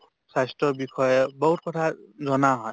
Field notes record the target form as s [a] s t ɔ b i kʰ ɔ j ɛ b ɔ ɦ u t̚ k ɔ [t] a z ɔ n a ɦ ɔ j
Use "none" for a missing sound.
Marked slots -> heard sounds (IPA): a, tʰ

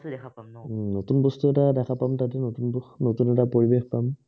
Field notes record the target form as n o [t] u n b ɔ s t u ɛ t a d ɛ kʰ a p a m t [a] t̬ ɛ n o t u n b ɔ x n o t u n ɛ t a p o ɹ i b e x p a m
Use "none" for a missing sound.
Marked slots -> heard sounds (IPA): t, a

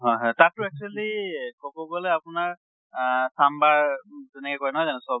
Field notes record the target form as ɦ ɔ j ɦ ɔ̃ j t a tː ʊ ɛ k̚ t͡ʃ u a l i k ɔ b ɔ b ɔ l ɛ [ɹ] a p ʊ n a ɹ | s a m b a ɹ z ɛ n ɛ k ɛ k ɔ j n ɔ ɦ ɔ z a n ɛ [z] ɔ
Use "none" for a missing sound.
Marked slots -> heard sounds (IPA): none, s

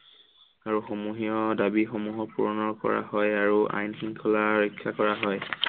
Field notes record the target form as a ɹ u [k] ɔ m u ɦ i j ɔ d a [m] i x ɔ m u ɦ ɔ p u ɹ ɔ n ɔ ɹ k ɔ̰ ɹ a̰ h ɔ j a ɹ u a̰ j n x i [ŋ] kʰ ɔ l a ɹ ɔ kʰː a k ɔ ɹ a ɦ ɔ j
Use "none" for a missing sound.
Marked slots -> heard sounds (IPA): x, b, ŋ

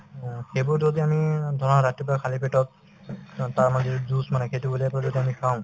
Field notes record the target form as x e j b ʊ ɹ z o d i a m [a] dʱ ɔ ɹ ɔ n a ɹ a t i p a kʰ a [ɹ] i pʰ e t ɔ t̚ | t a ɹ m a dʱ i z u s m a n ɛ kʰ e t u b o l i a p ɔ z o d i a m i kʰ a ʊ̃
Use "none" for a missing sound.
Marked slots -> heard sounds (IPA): i, l

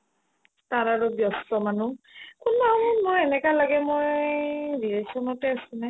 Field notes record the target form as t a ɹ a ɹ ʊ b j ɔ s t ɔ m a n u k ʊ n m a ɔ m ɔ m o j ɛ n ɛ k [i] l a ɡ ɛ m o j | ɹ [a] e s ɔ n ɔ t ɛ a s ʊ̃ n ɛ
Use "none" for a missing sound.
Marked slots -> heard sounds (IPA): a, i

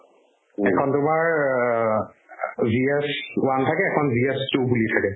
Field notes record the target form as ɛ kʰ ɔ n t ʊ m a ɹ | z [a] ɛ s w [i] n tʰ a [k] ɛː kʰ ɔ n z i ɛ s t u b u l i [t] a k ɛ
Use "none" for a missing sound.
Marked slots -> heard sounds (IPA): i, a, k, tʰ

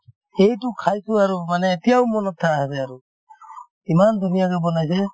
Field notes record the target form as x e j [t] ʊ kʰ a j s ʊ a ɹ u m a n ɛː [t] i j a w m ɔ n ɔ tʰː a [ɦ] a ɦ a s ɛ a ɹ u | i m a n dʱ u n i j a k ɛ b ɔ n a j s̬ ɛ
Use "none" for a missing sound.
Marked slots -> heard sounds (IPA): t, t, none

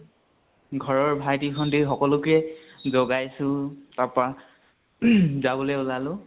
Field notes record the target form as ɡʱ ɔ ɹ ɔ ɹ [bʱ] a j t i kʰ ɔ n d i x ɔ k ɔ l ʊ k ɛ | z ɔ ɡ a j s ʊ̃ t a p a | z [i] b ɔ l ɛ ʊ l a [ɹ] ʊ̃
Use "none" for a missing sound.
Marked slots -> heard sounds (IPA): bʱ, a, l

